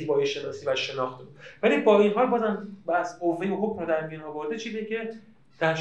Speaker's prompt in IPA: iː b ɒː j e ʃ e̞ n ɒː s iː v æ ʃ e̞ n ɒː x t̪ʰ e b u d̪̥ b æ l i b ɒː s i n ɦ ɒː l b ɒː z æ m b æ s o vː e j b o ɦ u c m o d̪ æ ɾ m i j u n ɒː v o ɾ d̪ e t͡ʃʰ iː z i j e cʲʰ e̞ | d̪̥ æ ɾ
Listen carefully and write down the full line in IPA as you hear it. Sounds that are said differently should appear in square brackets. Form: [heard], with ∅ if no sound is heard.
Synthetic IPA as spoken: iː b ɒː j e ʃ e̞ n ɒː s iː v æ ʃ e̞ n ɒː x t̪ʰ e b u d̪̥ [v] æ l i b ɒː [∅] i n ɦ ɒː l b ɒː z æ m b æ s o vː e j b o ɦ [o] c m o d̪ æ ɾ m i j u n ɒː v o ɾ d̪ e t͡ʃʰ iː z i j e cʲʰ e̞ | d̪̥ æ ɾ